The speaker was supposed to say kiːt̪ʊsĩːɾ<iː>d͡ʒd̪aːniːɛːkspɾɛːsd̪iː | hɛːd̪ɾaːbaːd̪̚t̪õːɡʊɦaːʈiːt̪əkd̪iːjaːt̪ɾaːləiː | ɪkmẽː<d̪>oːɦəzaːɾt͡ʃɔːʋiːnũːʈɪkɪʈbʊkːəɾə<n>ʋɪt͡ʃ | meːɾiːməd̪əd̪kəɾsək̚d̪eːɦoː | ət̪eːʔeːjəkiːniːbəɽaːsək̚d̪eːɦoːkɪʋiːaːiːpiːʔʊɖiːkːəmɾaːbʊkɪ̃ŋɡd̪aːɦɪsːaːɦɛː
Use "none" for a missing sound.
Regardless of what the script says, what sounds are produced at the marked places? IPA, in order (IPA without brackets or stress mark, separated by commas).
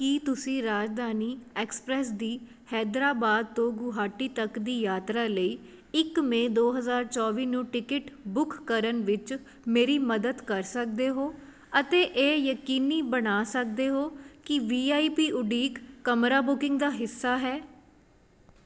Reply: aː, d̪, n